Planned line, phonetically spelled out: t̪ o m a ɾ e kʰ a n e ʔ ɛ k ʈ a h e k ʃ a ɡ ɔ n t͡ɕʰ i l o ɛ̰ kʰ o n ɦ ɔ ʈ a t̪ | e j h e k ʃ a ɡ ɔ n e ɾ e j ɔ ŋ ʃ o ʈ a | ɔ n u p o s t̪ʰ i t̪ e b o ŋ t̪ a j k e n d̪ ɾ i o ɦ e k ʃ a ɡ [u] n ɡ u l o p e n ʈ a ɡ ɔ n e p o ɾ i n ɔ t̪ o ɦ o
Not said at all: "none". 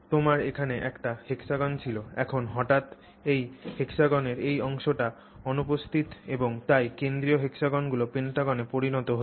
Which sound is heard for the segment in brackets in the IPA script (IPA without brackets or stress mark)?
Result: ɔ